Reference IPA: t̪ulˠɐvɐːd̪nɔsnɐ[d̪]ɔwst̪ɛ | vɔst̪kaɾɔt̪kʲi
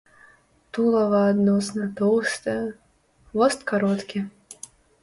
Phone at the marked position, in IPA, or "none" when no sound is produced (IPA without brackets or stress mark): t̪